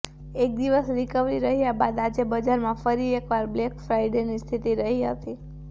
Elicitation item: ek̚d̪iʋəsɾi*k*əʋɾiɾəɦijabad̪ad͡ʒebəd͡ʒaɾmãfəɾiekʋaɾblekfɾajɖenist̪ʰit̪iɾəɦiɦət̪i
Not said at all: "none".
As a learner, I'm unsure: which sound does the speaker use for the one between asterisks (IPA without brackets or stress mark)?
k